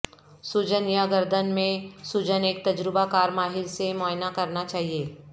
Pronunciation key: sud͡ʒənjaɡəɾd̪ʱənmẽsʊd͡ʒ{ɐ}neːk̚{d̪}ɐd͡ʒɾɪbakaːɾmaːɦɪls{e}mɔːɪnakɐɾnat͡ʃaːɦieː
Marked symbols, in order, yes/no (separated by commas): no, no, yes